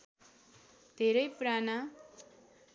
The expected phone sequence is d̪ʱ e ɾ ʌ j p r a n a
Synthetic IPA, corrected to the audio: d̪ʱ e ɾ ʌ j p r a n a